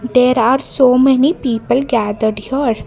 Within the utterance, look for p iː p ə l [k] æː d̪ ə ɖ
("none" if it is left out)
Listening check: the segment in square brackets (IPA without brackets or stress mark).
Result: ɡ